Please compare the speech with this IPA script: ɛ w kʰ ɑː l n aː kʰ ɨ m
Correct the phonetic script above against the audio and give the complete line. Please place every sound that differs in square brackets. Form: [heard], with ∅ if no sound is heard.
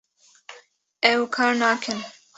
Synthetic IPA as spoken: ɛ w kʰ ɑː [ɾ] n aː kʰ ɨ [n]